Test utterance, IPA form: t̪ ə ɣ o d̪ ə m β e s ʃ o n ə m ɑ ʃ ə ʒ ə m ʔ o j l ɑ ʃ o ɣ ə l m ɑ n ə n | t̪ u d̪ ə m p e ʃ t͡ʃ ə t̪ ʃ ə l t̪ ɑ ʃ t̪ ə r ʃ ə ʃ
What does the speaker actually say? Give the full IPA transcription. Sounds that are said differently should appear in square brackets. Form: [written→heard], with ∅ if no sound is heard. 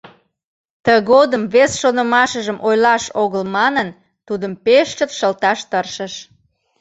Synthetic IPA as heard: t̪ ə ɣ o d̪ ə m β e s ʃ o n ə m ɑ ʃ ə ʒ ə m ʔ o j l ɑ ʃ o ɣ ə l m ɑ n ə n | t̪ u d̪ ə m p e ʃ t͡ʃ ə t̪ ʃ ə l t̪ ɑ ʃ t̪ ə r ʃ ə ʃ